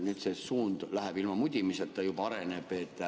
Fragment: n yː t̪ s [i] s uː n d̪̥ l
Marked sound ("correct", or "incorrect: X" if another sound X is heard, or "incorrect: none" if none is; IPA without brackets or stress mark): incorrect: e